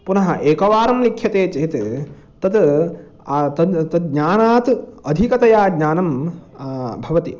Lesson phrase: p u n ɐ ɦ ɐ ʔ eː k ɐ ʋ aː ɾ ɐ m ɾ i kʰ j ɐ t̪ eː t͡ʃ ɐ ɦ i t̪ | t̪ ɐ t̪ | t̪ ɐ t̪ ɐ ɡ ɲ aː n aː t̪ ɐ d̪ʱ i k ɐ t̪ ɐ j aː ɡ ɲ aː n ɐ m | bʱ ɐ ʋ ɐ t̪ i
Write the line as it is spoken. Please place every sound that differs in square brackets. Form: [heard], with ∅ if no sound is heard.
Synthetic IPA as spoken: p u n ɐ ɦ ɐ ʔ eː k ɐ ʋ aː ɾ ɐ m [l] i kʰ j ɐ t̪ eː t͡ʃ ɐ ɦ i t̪ | t̪ ɐ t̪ | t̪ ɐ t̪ ɐ ɡ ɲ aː n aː t̪ ɐ d̪ʱ i k ɐ t̪ ɐ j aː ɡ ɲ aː n ɐ m | bʱ ɐ ʋ ɐ t̪ i